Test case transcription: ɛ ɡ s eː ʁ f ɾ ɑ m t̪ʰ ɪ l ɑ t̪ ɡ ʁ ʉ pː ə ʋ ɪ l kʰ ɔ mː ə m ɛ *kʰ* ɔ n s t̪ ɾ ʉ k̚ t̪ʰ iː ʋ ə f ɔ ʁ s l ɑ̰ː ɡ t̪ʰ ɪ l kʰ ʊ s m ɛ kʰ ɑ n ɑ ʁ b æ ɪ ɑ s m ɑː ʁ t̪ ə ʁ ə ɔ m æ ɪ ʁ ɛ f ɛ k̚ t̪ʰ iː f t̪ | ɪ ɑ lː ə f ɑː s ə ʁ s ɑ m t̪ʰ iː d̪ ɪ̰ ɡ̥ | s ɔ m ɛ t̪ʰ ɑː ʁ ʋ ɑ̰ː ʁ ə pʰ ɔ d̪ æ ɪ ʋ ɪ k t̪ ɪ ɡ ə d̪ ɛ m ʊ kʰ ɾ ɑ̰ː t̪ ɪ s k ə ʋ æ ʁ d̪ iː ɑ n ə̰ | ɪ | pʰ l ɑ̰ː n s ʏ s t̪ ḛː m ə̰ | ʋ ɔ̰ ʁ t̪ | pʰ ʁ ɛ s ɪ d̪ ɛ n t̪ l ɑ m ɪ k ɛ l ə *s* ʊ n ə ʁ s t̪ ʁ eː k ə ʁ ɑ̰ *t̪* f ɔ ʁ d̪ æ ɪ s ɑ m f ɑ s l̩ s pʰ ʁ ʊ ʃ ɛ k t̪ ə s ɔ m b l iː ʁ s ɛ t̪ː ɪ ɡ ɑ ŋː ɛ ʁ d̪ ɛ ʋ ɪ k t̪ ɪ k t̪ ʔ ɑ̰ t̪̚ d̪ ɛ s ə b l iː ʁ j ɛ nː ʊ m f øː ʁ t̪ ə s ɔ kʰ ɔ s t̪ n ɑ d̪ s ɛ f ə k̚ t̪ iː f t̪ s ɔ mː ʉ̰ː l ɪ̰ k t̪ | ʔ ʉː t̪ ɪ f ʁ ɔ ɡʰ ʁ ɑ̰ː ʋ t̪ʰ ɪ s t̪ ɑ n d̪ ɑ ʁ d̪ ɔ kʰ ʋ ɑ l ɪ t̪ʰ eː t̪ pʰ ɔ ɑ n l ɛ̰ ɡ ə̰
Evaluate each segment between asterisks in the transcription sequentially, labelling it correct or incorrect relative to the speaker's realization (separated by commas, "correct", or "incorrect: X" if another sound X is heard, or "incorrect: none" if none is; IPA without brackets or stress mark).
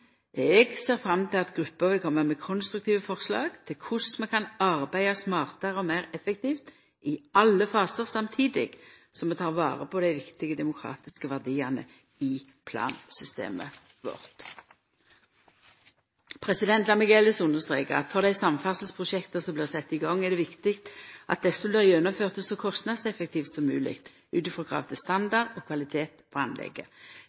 correct, correct, correct